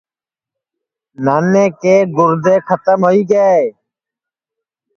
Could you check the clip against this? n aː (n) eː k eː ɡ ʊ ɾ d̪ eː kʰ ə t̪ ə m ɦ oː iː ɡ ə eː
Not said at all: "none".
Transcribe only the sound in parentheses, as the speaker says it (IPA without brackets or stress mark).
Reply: n